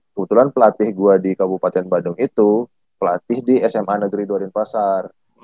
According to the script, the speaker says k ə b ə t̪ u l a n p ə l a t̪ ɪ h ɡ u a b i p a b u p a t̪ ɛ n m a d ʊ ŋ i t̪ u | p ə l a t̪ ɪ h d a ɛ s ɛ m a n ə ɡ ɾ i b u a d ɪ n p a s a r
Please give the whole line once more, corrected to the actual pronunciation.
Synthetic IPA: k ə b ə t̪ u l a n p ə l a t̪ ɪ h ɡ u a d i k a b u p a t̪ ɛ n b a d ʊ ŋ i t̪ u | p ə l a t̪ ɪ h d i ɛ s ɛ m a n ə ɡ ɾ i d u a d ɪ n p a s a r